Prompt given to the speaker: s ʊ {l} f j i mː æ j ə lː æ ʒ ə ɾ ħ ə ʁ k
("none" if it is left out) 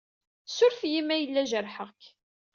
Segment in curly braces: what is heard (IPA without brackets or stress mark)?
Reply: ɾ